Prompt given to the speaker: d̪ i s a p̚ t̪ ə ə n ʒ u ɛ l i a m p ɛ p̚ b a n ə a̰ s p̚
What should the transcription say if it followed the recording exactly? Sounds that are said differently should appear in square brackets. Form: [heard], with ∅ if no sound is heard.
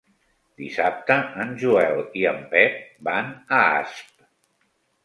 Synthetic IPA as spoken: d̪ i s a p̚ t̪ ə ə n ʒ u ɛ l i [ə] m p ɛ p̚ b a n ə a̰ s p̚